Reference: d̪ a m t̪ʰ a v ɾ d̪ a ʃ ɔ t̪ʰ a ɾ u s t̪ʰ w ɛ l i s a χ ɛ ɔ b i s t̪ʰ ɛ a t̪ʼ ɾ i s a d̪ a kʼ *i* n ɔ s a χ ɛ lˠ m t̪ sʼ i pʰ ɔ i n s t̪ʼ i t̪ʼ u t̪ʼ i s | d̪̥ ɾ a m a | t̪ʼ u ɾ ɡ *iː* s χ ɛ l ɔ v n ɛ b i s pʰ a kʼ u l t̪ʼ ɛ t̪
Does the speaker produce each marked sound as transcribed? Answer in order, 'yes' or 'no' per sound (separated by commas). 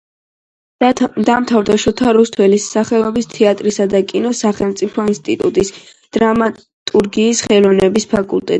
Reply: yes, yes